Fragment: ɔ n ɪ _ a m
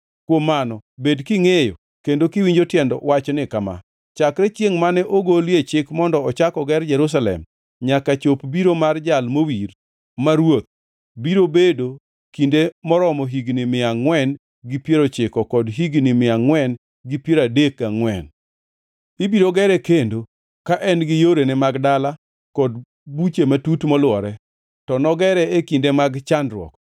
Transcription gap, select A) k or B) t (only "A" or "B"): A